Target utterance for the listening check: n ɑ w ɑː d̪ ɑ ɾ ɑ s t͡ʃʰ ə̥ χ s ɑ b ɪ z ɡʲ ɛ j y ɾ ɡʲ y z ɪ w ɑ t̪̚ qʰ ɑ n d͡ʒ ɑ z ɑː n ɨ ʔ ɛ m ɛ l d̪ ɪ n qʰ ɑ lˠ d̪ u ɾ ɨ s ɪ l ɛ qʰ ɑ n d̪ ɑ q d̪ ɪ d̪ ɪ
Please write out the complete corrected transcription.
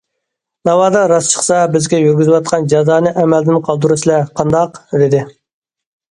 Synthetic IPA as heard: n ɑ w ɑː d̪ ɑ ɾ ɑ s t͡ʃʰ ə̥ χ s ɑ b ɪ z ɡʲ ɛ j y ɾ ɡʲ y z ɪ w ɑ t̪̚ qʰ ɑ n d͡ʒ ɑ z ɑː n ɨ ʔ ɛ m ɛ l d̪ ɪ n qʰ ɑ lˠ d̪ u ɾ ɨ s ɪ l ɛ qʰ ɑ n d̪ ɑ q d̪ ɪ d̪ ɪ